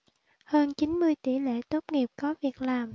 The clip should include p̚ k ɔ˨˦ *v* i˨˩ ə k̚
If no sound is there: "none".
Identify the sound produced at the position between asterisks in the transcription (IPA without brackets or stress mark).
v